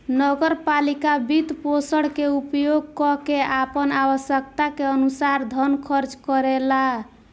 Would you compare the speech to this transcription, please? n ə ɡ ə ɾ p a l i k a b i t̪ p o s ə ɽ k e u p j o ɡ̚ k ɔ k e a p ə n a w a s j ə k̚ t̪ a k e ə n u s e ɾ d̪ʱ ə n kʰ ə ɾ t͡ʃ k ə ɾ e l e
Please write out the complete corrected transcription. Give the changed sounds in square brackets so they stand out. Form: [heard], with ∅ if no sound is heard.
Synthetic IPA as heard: n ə ɡ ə ɾ p a l i k a b i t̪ p o s ə ɽ k e u p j o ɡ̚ k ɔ k e a p ə n a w [ə] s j ə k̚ t̪ a k e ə n u s [a] ɾ d̪ʱ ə n kʰ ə ɾ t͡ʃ k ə ɾ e l [a]